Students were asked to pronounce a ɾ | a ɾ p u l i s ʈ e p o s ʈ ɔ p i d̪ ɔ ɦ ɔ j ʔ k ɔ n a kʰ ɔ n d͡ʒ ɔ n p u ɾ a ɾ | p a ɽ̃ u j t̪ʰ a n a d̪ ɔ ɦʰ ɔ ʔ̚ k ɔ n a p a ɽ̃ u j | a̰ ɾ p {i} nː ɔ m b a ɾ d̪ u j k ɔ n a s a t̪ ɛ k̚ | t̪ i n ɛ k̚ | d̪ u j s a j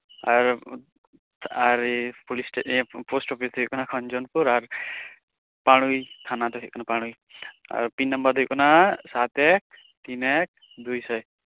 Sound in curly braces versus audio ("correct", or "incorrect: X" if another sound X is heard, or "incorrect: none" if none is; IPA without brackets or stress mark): correct